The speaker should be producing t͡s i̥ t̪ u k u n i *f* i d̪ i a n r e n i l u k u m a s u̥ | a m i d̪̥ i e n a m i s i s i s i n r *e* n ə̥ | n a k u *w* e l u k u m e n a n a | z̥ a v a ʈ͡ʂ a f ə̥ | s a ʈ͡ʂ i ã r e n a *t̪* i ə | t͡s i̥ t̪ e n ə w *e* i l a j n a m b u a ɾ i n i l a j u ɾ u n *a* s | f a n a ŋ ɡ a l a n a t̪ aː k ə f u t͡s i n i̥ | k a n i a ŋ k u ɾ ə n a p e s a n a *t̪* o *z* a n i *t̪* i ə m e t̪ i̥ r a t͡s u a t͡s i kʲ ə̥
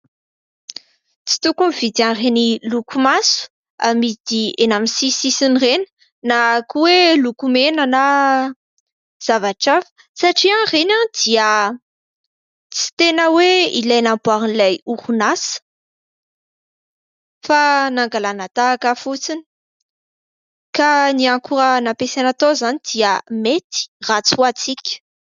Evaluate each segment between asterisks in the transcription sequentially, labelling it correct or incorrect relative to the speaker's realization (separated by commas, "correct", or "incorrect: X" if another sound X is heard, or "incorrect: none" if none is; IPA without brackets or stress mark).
incorrect: v, correct, correct, incorrect: d̪, correct, correct, correct, correct, incorrect: d̪